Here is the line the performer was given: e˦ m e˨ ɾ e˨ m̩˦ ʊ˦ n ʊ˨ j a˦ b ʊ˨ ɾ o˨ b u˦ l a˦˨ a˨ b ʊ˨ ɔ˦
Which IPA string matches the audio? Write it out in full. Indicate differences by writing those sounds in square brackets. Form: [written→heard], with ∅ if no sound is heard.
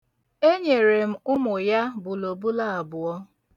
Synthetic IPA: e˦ [m→ɲ] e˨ ɾ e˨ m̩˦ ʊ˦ [n→m] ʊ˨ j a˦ b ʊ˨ [ɾ→l] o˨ b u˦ l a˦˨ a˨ b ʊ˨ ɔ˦